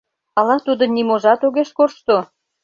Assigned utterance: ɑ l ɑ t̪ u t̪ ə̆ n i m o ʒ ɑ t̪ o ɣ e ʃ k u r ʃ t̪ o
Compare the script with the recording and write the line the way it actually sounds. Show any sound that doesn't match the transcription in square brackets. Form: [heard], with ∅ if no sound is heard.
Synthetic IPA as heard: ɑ l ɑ t̪ u [d̪] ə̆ n i m o ʒ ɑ t̪ o ɣ e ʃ k [o] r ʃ t̪ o